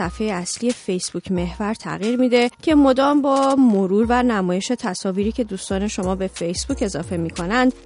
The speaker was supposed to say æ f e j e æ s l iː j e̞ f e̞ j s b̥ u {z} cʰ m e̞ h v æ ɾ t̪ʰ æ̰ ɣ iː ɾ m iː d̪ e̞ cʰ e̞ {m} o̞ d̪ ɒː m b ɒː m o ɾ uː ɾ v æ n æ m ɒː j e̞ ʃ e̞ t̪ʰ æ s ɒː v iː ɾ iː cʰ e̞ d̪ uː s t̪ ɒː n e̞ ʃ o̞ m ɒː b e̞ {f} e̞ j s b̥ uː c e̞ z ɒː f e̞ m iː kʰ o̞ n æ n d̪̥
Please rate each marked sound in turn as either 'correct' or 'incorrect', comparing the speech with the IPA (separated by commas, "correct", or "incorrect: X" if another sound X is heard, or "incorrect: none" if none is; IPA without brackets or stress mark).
incorrect: none, correct, correct